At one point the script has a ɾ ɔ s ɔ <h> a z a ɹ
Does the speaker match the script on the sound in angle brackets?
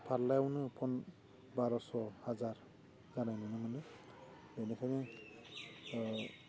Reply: yes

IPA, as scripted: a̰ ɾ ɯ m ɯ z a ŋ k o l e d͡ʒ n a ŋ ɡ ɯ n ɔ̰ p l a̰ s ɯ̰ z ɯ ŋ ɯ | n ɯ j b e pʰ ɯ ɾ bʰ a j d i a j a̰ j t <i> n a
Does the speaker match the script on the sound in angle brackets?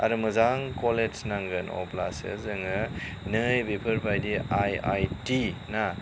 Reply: yes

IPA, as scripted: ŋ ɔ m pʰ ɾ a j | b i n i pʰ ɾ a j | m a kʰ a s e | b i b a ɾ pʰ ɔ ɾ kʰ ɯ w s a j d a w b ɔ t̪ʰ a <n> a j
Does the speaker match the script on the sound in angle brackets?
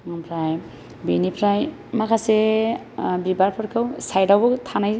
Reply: yes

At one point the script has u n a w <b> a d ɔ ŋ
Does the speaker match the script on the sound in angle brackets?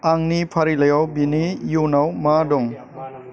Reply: no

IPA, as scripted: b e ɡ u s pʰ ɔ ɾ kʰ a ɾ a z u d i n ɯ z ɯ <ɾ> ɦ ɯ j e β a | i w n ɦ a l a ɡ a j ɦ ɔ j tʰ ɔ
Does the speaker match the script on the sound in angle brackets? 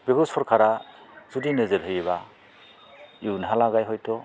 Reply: yes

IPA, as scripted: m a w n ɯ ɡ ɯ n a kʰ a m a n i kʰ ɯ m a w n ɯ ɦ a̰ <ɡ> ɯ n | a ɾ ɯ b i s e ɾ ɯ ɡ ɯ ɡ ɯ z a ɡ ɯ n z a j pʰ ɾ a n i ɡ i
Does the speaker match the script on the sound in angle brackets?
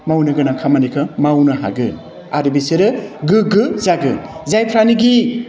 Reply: yes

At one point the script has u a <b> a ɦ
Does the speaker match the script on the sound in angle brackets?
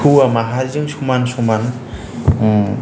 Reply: no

